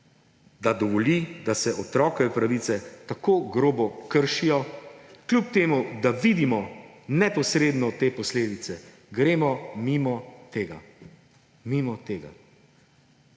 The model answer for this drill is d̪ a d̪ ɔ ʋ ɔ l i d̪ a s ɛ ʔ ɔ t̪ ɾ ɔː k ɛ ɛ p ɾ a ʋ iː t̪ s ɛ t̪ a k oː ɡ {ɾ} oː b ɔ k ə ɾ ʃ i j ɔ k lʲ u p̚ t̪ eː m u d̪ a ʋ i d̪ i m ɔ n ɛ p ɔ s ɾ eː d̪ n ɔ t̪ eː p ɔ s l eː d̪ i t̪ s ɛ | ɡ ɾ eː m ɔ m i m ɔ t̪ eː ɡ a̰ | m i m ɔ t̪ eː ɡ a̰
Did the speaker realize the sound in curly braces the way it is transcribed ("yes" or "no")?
yes